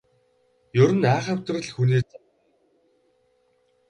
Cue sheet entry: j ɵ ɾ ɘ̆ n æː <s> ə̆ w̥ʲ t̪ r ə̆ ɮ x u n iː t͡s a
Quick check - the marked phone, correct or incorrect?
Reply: incorrect